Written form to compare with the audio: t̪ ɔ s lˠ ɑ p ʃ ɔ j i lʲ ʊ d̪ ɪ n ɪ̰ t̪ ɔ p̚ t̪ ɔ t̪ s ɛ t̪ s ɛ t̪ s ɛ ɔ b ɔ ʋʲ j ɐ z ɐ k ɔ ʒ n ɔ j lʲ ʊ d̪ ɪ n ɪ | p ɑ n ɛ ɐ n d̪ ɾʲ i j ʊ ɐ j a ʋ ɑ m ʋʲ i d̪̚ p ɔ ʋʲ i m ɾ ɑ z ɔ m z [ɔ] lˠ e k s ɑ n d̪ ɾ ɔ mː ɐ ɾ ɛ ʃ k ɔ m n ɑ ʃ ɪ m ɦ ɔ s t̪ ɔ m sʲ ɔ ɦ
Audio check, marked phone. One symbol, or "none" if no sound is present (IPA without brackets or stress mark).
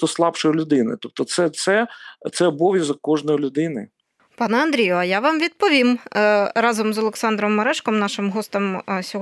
ɔ